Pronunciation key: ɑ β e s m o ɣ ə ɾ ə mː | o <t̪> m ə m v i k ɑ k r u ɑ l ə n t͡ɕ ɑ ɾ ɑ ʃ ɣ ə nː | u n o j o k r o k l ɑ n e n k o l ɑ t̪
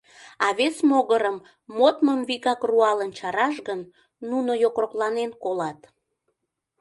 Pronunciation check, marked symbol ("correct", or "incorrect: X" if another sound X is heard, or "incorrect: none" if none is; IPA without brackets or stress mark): correct